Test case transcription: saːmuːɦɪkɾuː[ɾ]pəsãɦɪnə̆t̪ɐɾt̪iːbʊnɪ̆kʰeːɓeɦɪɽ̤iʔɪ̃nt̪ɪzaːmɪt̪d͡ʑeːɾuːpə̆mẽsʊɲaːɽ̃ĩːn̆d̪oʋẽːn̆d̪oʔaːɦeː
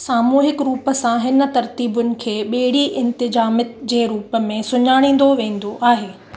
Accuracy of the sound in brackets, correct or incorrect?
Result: incorrect